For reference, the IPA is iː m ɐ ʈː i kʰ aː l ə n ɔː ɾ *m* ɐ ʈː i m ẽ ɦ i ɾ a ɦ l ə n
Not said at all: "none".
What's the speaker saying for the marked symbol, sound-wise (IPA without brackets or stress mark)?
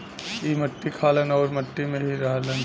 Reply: m